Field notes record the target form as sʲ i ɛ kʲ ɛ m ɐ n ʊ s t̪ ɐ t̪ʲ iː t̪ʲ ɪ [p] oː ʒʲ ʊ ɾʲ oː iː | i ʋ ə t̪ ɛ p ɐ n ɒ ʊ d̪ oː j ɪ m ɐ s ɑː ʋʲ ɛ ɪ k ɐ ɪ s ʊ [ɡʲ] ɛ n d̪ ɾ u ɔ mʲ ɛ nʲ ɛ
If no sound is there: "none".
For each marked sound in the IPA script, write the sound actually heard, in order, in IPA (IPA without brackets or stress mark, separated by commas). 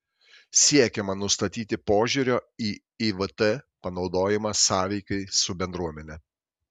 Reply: p, bʲ